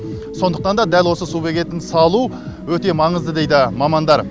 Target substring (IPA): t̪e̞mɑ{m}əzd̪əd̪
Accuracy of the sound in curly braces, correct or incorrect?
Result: incorrect: ɴ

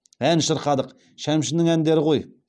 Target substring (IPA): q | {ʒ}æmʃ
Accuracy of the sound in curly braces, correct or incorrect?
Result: incorrect: ʃ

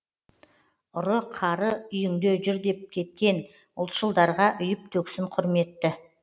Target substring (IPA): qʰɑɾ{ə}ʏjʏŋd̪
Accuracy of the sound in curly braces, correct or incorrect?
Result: correct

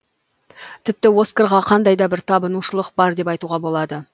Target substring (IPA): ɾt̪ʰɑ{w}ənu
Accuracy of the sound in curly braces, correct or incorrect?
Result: incorrect: b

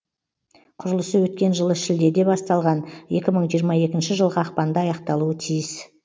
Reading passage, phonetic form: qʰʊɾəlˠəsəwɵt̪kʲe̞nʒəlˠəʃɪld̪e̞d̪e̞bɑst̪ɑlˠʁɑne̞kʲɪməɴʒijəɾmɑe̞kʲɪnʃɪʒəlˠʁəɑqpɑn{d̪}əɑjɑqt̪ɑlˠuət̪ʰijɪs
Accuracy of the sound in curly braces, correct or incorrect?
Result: correct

